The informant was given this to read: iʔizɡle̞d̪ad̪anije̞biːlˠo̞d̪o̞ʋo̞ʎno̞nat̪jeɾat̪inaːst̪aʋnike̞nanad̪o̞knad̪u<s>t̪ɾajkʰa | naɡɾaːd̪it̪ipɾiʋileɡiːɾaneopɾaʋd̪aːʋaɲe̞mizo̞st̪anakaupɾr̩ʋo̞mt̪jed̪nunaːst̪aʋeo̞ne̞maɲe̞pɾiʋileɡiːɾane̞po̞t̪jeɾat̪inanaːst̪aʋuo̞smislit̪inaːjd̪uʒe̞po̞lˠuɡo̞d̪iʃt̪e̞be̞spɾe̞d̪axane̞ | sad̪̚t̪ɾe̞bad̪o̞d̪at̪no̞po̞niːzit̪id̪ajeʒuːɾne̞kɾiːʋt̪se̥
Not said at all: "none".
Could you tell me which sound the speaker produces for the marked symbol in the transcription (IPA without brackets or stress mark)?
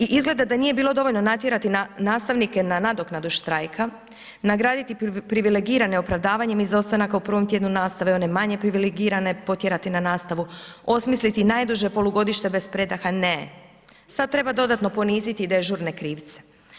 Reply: ʃ